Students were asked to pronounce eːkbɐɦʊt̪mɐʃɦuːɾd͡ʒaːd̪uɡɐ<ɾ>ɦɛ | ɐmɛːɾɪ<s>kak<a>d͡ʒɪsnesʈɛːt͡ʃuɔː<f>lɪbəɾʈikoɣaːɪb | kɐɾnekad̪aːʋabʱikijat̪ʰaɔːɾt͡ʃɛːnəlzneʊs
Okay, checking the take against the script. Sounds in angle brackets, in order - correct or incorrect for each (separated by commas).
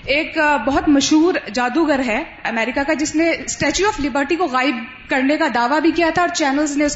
correct, incorrect, correct, correct